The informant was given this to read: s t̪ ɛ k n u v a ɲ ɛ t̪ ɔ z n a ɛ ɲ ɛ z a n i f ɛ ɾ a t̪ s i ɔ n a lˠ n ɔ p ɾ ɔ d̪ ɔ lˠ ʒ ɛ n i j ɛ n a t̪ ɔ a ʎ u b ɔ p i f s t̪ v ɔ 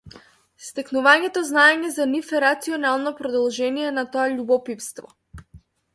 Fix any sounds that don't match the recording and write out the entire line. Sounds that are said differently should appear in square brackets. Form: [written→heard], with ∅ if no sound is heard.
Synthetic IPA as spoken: s t̪ ɛ k n u v a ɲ ɛ t̪ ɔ z n a ɛ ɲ ɛ z a n i f ɛ ɾ a t̪ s i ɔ n a lˠ n ɔ p ɾ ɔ d̪ ɔ lˠ ʒ ɛ n i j ɛ n a t̪ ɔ a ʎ u b ɔ p i f s t̪ v ɔ